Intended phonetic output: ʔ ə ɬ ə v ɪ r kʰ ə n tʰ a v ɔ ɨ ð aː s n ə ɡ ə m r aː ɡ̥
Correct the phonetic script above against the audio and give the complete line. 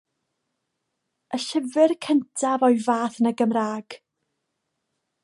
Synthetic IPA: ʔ ə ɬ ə v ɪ r kʰ ə n tʰ a v ɔ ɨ v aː θ n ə ɡ ə m r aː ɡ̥